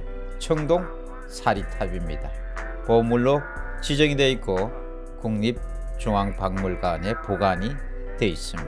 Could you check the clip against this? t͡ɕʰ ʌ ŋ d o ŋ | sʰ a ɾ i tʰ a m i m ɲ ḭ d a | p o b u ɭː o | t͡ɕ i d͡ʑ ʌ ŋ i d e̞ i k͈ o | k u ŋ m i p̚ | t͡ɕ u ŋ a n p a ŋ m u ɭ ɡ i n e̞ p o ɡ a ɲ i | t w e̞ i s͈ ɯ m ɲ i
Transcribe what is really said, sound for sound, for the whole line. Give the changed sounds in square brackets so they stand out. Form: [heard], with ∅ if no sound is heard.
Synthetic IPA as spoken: t͡ɕʰ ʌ ŋ d o ŋ | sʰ a ɾ i tʰ a [b] i m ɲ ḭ d a | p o [m] u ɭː o | t͡ɕ i d͡ʑ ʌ ŋ i d e̞ i k͈ o | k u ŋ [ɲ] i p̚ | t͡ɕ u ŋ a [ŋ] p a ŋ m u ɭ ɡ [a] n e̞ p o ɡ a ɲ i | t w e̞ i s͈ ɯ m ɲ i